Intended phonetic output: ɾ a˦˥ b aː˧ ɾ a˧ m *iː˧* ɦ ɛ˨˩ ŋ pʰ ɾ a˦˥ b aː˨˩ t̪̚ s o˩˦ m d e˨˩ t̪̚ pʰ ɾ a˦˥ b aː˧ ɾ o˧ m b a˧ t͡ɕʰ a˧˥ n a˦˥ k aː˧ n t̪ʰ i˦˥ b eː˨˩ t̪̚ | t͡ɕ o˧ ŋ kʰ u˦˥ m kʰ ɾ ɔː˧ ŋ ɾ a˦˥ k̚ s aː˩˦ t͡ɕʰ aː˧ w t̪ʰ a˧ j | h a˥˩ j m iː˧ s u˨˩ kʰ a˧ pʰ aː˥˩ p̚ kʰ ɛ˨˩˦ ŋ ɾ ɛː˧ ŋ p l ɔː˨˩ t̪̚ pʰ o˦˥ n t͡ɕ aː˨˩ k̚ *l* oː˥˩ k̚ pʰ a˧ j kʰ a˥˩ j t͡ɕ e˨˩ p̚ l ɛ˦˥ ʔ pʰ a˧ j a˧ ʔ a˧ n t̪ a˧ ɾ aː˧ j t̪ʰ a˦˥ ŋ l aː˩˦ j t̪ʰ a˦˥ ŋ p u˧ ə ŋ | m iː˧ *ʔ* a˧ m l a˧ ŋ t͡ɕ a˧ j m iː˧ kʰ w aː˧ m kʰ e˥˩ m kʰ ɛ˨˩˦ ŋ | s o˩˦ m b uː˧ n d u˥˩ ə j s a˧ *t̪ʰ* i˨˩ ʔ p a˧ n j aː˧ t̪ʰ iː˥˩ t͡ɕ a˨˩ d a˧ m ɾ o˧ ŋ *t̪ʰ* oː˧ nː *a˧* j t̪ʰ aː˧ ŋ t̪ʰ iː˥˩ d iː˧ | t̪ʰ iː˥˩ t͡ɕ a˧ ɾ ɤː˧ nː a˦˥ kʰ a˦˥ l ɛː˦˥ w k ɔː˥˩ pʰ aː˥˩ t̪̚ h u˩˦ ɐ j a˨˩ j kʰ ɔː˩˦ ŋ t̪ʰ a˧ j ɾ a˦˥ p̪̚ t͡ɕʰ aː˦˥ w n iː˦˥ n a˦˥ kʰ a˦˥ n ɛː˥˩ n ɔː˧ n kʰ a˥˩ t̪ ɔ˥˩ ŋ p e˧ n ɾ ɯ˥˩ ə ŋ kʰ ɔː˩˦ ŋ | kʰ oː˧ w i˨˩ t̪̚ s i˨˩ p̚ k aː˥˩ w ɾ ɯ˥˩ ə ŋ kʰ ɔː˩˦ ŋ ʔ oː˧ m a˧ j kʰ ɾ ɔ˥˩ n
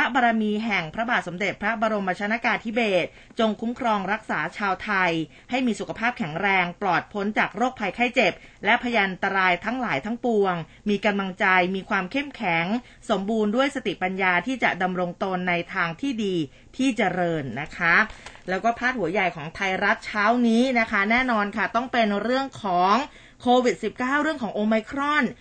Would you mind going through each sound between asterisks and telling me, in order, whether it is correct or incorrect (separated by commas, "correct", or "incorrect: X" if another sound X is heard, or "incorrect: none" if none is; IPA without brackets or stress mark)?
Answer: correct, incorrect: ɾ, incorrect: k, incorrect: t̪, incorrect: t̪, correct